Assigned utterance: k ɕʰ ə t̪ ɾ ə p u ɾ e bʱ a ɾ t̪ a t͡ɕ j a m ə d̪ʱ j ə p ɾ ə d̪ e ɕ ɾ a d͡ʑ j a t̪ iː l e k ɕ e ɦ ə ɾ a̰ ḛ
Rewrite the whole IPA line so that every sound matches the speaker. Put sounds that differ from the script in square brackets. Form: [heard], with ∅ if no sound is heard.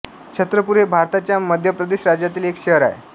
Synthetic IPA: k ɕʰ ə t̪ ɾ ə p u ɾ e bʱ a ɾ t̪ a t͡ɕ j a m ə d̪ʱ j ə p ɾ ə d̪ e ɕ ɾ a d͡ʑ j a t̪ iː l e k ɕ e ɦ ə ɾ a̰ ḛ